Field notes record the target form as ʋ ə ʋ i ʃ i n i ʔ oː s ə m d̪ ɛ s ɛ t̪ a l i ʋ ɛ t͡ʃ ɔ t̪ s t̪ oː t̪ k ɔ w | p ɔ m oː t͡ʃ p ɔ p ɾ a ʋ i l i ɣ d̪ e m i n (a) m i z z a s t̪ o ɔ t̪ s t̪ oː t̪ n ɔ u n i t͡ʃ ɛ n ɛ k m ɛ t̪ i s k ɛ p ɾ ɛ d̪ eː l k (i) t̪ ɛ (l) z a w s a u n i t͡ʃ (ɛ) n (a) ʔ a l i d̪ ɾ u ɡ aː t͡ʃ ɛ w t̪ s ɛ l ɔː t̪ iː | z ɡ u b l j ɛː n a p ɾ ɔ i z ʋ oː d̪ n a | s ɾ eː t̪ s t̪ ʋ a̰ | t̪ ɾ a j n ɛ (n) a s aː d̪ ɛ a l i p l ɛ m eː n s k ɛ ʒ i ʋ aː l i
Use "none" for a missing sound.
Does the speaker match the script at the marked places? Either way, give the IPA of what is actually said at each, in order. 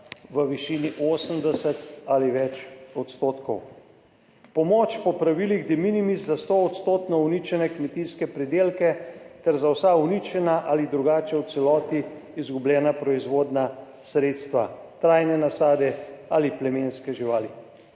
i, ɛ, ɾ, ɛ, a, n

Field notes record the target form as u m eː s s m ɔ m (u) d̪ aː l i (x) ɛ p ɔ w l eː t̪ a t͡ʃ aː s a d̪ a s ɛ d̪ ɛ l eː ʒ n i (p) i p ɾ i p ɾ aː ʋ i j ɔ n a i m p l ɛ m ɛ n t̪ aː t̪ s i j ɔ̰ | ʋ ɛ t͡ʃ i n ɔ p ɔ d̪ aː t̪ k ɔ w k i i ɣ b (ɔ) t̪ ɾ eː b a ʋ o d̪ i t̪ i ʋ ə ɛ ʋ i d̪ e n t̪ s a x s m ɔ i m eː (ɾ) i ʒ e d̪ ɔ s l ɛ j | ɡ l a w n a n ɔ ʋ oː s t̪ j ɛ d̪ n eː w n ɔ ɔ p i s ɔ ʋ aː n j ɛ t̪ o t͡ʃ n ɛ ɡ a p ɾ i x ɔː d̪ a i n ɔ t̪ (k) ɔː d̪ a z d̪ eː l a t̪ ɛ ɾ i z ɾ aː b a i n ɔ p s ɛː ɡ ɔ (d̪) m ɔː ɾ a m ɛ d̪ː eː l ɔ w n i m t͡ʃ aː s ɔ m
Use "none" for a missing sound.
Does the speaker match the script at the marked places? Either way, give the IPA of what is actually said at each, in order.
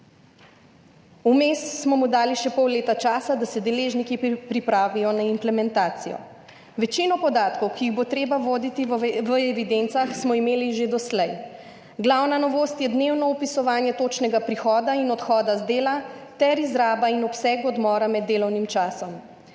u, ʃ, k, o, l, x, d̪

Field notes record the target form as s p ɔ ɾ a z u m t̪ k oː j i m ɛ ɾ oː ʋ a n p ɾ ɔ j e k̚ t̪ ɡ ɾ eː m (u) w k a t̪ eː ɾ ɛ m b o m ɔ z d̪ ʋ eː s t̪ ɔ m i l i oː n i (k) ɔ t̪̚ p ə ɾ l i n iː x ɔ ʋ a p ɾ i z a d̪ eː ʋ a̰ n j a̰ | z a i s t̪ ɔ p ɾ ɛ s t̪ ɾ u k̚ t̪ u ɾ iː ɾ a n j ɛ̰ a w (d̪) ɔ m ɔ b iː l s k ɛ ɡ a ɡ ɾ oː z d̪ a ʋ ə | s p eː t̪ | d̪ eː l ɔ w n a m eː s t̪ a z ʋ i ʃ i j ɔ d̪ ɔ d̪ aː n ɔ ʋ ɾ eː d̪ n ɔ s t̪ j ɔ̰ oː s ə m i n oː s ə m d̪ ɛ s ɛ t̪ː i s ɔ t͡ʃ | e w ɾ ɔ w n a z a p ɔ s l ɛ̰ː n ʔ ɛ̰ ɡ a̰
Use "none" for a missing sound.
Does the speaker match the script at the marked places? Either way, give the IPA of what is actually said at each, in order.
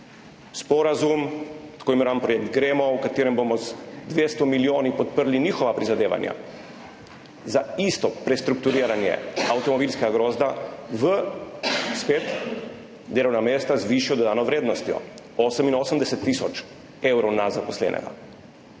ɔ, p, t̪

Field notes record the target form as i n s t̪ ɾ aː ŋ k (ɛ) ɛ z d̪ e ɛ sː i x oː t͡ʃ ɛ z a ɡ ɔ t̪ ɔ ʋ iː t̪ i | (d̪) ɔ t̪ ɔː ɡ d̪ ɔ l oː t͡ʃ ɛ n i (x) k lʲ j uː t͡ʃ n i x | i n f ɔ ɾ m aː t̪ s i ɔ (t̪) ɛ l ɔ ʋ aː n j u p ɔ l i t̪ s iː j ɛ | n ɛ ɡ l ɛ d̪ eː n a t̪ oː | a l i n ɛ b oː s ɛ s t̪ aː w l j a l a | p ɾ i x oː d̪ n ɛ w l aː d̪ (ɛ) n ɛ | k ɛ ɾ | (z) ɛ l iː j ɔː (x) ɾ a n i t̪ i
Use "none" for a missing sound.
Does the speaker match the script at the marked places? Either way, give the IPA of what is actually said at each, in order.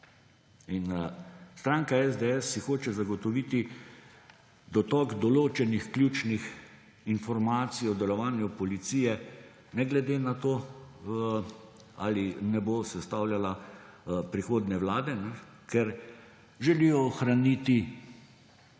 a, d̪, x, d̪, ɛ, ʒ, x

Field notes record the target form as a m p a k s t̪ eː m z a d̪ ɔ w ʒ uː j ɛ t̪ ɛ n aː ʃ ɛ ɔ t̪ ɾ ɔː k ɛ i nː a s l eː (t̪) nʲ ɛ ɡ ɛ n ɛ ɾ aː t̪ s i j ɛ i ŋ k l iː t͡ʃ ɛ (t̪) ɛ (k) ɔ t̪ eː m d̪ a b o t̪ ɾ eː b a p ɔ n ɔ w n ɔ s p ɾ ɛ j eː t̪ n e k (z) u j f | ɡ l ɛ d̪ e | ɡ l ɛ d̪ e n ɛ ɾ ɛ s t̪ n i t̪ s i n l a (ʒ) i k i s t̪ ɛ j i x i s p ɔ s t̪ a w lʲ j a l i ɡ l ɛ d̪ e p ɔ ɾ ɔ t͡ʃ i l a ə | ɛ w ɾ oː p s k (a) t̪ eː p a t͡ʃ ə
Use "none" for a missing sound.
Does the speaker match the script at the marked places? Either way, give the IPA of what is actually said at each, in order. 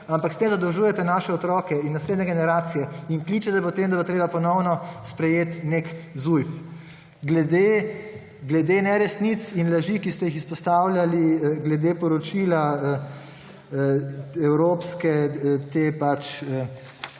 d̪, t̪, p, z, ʒ, ɛ

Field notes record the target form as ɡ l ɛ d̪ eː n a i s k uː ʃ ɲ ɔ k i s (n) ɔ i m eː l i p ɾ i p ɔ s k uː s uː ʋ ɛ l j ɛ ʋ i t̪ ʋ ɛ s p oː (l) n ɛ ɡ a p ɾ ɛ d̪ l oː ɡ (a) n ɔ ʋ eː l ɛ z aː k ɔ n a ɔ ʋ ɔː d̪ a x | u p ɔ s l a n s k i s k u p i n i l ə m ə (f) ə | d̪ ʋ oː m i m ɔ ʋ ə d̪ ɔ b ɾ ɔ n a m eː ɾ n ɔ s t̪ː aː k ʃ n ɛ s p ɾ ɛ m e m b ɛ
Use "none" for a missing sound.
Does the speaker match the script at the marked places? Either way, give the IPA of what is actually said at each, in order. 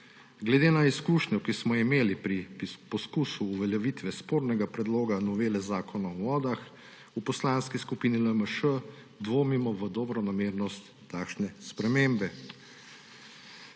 m, ɾ, a, ʃ

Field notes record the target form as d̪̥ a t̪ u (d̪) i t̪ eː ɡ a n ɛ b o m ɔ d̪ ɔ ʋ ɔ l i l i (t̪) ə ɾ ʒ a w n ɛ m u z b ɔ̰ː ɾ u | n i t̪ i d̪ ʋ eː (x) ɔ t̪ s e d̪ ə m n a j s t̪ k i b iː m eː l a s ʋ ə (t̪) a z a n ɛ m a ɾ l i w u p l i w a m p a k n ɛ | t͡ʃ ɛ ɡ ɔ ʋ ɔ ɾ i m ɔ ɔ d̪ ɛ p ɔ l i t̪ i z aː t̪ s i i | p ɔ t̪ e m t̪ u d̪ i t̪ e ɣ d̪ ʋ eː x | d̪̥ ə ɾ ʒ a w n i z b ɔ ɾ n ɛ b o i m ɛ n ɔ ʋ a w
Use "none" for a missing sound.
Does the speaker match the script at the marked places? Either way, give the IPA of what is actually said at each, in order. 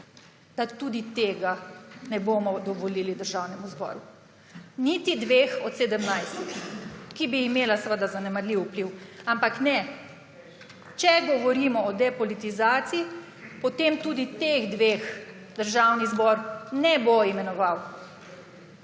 d̪, d̪, x, d̪

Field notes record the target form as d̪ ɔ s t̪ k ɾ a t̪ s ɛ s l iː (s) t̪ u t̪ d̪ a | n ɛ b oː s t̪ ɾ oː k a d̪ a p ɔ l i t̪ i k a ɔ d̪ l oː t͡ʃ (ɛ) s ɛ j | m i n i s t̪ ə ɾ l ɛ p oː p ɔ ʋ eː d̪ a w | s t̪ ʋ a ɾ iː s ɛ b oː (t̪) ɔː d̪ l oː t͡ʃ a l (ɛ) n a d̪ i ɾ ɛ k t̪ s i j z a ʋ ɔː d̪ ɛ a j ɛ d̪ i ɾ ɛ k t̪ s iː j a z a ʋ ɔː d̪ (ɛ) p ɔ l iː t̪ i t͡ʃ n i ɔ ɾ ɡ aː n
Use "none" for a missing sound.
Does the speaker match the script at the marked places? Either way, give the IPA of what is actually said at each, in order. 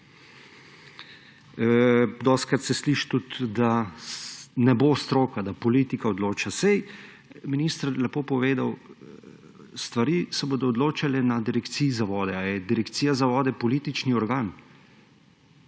ʃ, a, d̪, ɛ, ɛ

